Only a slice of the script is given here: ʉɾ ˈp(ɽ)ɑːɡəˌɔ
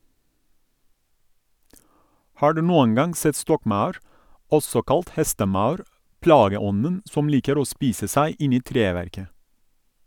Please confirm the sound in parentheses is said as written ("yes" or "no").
no